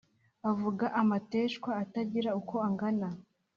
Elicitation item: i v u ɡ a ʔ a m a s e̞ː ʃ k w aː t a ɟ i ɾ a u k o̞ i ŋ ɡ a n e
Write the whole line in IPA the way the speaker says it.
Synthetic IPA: a v u ɡ a ʔ a m a t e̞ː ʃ k w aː t a ɟ i ɾ a u k o̞ a ŋ ɡ a n a